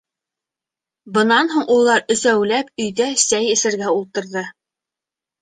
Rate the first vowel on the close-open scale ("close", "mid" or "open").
mid